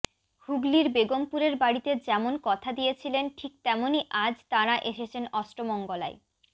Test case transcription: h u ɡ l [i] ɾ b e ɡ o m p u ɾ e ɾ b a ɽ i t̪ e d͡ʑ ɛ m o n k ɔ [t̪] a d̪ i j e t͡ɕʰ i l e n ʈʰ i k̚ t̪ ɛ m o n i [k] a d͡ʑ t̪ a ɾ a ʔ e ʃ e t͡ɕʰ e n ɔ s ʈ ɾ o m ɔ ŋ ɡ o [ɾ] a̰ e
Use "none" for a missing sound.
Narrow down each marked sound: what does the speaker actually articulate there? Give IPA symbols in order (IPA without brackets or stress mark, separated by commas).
i, t̪ʰ, ʔ, l